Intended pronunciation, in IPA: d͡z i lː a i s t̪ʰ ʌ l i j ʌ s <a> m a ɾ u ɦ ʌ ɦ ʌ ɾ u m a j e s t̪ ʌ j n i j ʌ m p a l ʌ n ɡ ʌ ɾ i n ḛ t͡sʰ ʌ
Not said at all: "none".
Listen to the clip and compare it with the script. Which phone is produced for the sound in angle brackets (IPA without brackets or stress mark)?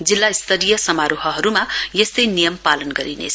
ʌ